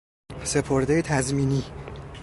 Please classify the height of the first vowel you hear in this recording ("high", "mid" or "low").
mid